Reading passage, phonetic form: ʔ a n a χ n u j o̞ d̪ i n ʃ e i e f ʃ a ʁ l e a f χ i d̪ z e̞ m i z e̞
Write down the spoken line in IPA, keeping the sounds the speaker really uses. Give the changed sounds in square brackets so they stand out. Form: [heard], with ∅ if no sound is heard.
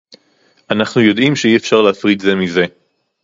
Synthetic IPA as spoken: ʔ a n a χ n u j o̞ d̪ i [m] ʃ e i e f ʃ a ʁ l e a f [ʁ] i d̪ z e̞ m i z e̞